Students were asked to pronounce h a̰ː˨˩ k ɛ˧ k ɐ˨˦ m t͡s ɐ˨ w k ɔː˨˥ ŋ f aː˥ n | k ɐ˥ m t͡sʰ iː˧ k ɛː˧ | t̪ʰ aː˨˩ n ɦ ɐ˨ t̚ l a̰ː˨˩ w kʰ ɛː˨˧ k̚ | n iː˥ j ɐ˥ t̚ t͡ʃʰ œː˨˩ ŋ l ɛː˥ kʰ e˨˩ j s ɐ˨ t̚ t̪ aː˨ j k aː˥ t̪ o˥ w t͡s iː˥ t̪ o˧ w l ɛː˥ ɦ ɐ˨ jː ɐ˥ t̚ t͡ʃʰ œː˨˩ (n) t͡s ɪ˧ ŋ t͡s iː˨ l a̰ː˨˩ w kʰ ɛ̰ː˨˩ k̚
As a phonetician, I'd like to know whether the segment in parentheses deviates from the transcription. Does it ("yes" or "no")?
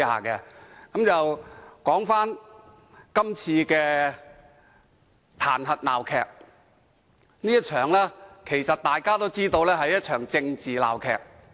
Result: yes